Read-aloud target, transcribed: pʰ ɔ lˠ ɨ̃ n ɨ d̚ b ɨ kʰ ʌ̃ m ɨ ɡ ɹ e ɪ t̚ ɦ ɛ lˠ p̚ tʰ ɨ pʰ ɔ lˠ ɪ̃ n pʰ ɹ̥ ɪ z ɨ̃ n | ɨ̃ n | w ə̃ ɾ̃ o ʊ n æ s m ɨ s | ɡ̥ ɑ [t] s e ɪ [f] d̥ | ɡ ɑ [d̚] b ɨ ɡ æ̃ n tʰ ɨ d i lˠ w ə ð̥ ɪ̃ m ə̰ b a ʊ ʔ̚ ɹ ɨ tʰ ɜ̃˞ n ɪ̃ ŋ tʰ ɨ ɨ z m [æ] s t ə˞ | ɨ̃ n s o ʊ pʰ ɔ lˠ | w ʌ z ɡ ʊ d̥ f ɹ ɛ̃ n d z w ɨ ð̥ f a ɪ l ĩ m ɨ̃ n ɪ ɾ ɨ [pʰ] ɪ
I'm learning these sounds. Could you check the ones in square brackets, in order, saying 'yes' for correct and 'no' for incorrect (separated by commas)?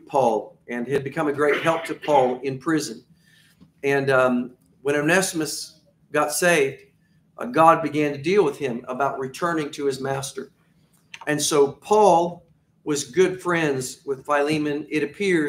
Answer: yes, no, yes, yes, yes